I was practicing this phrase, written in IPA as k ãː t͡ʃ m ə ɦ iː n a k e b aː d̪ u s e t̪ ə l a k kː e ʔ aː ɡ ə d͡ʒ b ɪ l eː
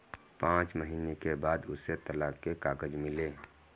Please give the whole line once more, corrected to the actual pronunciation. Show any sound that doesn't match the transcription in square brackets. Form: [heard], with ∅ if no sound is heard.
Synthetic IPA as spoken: [p] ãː t͡ʃ m ə ɦ iː n [e] k e b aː d̪ [ʊ] s e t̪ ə l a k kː e [k] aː ɡ ə d͡ʒ [m] ɪ l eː